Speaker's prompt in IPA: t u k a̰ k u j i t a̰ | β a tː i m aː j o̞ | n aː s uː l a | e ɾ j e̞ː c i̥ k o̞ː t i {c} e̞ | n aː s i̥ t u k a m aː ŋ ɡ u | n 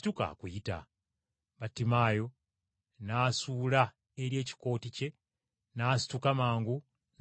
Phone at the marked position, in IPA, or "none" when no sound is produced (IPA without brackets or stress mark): c